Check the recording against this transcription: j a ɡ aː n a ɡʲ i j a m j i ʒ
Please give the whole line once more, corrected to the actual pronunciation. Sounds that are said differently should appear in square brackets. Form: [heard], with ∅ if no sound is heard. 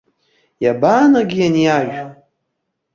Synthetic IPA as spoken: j a [b] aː n a ɡʲ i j a [n] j [a] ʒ